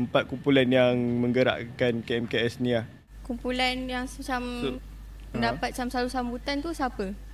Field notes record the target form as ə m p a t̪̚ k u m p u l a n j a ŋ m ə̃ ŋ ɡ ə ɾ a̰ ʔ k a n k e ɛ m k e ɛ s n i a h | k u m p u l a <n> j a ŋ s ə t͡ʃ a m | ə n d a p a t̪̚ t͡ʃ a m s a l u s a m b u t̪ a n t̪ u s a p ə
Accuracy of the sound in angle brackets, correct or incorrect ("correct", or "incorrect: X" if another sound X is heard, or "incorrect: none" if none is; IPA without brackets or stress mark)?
correct